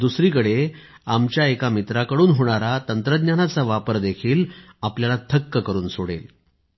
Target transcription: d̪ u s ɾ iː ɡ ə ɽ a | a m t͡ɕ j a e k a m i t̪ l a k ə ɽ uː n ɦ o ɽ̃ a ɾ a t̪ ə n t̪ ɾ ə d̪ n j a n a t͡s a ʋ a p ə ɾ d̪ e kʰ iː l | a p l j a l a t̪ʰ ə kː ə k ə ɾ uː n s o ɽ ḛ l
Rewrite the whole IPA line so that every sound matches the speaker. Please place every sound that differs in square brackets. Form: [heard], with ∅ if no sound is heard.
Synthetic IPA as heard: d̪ u s ɾ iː [k] ə ɽ [e] | a m t͡ɕ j a e k a m i t̪ [ɾ] a k ə ɽ uː n ɦ o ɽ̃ a ɾ a t̪ ə n t̪ ɾ ə d̪ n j a n a t͡s a ʋ a p ə ɾ d̪ e kʰ iː l | a p l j a l a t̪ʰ ə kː ə k ə ɾ uː n s o ɽ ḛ l